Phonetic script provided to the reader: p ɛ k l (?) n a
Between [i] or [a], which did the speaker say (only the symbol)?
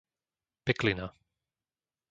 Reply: i